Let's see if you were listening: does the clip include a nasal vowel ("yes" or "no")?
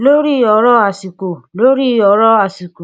no